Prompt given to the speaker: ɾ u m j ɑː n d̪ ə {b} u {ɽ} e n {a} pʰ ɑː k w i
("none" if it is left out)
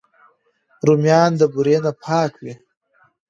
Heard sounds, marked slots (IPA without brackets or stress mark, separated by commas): b, ɾ, a